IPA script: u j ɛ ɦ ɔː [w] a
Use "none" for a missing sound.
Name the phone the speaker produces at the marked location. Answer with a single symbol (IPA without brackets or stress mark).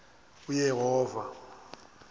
v